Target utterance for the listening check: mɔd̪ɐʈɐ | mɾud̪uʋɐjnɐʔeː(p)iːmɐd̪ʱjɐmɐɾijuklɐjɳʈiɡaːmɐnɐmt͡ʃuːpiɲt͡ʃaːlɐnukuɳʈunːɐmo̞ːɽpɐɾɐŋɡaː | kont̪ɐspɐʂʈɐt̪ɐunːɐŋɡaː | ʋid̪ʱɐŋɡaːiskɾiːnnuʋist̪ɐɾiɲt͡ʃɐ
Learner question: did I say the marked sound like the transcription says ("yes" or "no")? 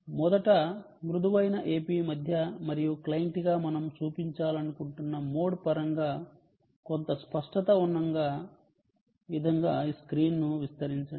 yes